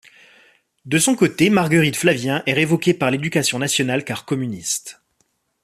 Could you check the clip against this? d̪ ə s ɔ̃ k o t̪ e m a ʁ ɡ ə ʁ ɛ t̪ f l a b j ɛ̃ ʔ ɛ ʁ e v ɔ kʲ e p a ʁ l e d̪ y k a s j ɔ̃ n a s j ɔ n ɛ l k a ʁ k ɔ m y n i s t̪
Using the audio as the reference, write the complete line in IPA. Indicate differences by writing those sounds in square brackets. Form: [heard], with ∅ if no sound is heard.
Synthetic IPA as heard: d̪ ə s ɔ̃ k o t̪ e m a ʁ ɡ ə ʁ [i] t̪ f l a [v] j ɛ̃ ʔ ɛ ʁ e v ɔ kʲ e p a ʁ l e d̪ y k a s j ɔ̃ n a s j ɔ n [a] l k a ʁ k ɔ m y n i s t̪

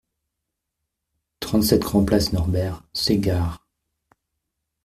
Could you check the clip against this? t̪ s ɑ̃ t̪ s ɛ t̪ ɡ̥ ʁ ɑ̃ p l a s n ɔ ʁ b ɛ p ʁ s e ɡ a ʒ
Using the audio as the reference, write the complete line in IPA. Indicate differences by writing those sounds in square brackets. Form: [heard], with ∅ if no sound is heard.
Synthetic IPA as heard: t̪ [χ] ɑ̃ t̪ s ɛ t̪ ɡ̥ ʁ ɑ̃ p l a s n ɔ ʁ b ɛ [∅] ʁ s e ɡ a [ʁ]

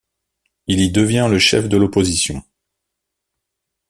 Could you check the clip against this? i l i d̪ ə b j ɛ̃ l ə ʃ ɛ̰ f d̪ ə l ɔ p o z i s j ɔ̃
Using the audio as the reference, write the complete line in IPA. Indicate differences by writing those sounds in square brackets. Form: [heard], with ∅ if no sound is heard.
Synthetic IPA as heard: i l i d̪ ə [v] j ɛ̃ l ə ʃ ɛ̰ f d̪ ə l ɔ p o z i s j ɔ̃

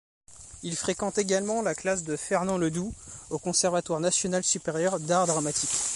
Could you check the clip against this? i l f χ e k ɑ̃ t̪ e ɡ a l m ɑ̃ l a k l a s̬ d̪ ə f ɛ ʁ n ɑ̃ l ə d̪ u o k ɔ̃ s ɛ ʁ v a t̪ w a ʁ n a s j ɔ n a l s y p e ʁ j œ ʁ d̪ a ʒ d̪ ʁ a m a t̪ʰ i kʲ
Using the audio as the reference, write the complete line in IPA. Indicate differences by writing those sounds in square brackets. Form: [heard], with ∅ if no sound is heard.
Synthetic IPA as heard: i l f χ e k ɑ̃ t̪ e ɡ a l m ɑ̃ l a k l a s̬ d̪ ə f ɛ ʁ n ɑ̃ l ə d̪ u o k ɔ̃ s ɛ ʁ v a t̪ w a ʁ n a s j ɔ n a l s y p e ʁ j œ ʁ d̪ a [ʁ] d̪ ʁ a m a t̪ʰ i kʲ

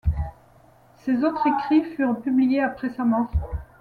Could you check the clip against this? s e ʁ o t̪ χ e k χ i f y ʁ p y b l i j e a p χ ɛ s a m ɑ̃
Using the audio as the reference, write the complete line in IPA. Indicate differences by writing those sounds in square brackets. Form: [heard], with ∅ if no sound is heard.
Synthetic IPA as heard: s e [z] o t̪ χ e k χ i f y ʁ p y b l i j e a p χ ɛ s a m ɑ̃

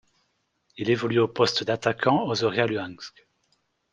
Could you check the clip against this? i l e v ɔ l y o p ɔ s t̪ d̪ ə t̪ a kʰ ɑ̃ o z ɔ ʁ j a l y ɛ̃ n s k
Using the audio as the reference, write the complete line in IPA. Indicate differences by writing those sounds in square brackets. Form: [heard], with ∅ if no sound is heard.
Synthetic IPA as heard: i l e v ɔ l y o p ɔ s t̪ d̪ [a] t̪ a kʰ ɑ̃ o z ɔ ʁ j a l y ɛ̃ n s k

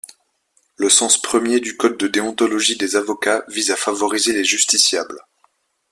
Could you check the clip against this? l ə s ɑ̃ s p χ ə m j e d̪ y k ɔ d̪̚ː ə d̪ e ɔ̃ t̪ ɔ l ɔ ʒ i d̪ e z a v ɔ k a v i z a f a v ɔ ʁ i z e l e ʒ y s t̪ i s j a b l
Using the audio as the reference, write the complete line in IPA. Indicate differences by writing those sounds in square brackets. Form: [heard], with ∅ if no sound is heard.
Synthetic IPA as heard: l ə s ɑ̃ s p χ ə m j e d̪ y k ɔ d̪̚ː ə d̪ e ɔ̃ t̪ ɔ l ɔ ʒ i d̪ e z a v ɔ k a v i z a f a v ɔ ʁ i z e l e ʒ y s t̪ i s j a b l

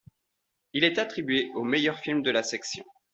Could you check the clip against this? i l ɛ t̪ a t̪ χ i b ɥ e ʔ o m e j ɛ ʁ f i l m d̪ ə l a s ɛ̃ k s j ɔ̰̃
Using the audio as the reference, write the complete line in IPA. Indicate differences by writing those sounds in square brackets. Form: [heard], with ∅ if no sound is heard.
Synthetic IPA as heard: i l ɛ t̪ a t̪ χ i b ɥ e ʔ o m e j [œ] ʁ f i l m d̪ ə l a s [ɛ] k s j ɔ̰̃

